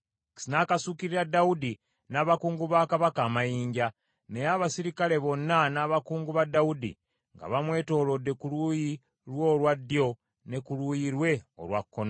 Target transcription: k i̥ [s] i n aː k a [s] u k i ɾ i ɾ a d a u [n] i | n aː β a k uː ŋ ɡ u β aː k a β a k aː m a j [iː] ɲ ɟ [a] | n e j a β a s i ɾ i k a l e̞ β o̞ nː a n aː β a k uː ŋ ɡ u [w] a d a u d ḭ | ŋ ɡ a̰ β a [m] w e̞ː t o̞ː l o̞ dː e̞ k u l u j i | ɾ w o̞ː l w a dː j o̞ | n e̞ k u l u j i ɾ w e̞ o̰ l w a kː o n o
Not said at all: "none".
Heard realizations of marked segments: s, s, d, iː, a, β, m

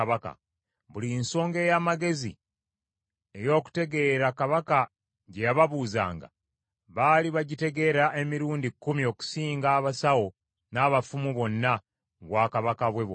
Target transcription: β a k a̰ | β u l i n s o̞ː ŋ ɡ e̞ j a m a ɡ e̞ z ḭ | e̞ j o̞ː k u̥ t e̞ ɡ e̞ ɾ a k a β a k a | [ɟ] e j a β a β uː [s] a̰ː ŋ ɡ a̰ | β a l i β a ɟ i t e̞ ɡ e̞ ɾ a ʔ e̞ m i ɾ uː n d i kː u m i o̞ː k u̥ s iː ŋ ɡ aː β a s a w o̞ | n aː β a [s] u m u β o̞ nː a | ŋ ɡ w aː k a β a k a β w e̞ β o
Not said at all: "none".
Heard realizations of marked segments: ɟ, z, f

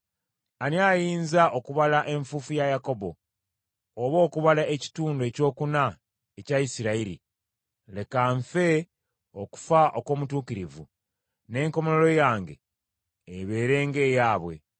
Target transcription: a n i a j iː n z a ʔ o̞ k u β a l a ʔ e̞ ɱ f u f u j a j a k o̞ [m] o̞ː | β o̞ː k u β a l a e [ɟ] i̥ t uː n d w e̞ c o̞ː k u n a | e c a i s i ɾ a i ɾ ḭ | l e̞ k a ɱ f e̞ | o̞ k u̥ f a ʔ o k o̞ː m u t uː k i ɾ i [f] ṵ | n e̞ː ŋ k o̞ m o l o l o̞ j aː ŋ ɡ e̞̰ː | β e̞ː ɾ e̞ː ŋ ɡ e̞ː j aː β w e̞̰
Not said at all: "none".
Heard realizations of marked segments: b, c, v

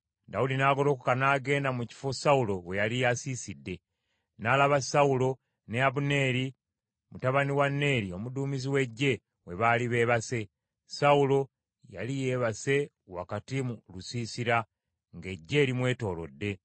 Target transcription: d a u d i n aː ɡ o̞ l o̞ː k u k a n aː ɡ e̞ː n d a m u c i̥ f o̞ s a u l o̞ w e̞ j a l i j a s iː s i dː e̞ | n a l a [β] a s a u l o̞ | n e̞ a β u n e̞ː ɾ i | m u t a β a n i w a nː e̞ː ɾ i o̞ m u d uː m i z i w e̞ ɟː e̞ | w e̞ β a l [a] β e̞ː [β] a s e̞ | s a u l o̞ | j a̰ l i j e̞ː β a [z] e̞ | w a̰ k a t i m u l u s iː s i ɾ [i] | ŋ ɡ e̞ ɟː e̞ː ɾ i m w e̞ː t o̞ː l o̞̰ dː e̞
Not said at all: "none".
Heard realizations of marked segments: β, i, β, s, a

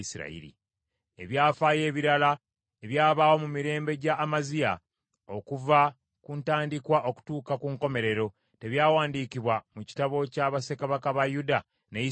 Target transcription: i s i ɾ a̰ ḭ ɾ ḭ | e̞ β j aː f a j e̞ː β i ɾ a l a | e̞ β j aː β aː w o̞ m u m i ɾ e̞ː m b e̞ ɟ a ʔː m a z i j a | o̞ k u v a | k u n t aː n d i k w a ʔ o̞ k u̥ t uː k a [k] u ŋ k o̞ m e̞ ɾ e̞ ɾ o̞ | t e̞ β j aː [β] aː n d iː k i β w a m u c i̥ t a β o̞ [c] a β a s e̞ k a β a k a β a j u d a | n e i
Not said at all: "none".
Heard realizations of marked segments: k, w, c

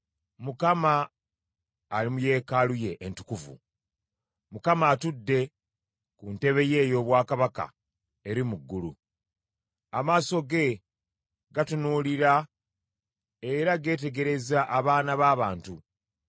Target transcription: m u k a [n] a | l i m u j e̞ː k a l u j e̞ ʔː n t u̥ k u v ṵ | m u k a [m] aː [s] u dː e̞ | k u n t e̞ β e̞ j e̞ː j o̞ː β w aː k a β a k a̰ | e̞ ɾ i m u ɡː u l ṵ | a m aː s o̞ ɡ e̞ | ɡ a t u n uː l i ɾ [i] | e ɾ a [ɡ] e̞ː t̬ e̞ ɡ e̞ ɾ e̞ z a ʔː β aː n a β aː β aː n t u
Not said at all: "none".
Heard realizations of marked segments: m, m, t, a, ɡ

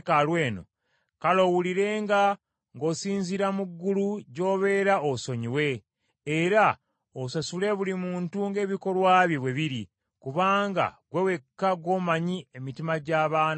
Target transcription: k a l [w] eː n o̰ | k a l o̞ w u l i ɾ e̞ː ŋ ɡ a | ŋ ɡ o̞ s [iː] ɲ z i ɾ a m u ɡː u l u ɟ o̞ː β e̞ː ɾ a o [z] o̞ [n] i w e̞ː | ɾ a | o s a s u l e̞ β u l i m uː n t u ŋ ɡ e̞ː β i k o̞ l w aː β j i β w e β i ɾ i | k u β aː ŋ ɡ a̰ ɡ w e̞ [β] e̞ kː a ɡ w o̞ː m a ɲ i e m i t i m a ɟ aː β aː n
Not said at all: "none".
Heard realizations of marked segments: w, iː, s, ɲ, w

